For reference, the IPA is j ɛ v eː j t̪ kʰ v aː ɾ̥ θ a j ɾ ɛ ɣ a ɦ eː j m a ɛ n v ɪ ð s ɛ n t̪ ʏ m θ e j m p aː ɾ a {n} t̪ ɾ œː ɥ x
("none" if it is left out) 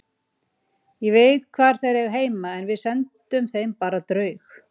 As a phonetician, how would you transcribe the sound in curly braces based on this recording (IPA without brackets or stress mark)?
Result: none